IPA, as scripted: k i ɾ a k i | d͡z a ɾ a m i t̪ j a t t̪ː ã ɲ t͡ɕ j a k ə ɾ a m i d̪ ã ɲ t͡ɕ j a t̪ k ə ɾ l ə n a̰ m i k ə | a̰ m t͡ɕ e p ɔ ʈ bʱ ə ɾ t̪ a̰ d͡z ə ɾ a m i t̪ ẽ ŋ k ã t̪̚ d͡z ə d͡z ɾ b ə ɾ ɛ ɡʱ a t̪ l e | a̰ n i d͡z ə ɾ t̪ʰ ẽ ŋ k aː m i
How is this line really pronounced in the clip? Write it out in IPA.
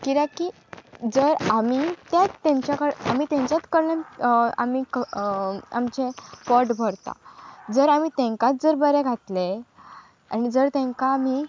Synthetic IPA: k i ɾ a k i | d͡z ə ɾ a m i t̪ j a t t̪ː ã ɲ t͡ɕ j a k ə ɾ a m i t̪ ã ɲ t͡ɕ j a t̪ k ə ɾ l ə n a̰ m i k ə | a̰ m t͡ɕ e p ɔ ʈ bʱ ə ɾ t̪ a̰ d͡z ə ɾ a m i t̪ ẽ ŋ k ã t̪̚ d͡z ə ɾ b ə ɾ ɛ ɡʱ a t̪ l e | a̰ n i d͡z ə ɾ t̪ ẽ ŋ k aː m i